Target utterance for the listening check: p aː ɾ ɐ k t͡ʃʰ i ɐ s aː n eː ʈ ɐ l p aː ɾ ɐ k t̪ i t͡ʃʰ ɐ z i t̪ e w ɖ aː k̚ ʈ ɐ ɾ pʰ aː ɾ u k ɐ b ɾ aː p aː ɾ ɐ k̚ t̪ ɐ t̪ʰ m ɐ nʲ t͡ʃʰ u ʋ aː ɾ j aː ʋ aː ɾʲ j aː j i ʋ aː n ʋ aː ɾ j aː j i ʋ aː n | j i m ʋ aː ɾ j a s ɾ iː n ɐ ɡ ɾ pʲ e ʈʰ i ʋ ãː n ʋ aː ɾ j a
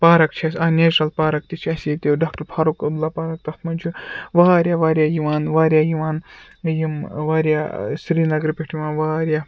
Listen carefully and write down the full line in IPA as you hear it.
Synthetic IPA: p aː ɾ ɐ k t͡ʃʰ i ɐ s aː n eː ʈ ɐ l p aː ɾ ɐ k t̪ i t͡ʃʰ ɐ s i t̪ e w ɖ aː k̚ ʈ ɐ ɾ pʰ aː ɾ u k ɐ b l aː p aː ɾ ɐ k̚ t̪ ɐ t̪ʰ m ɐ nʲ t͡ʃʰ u ʋ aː ɾ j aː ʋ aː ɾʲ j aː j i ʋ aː n ʋ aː ɾ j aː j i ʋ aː n | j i m ʋ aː ɾ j a s ɾ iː n ɐ ɡ ɾ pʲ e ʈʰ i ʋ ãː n ʋ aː ɾ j a